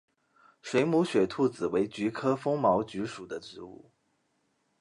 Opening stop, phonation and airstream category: aspirated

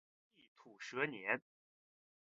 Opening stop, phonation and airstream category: aspirated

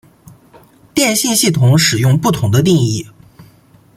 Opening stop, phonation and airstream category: plain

